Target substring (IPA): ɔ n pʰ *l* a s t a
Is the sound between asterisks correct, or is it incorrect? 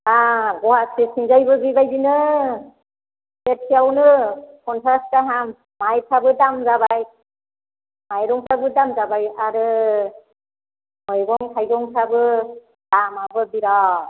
incorrect